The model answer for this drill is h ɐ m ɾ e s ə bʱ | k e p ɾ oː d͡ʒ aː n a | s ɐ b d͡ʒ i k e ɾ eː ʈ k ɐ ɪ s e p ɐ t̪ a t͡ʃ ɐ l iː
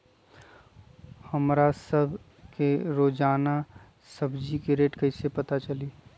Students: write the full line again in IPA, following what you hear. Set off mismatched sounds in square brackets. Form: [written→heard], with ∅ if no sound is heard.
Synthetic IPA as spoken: h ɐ m ɾ [e→a] s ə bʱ | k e [p→∅] ɾ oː d͡ʒ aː n a | s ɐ b d͡ʒ i k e ɾ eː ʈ k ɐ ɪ s e p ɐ t̪ a t͡ʃ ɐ l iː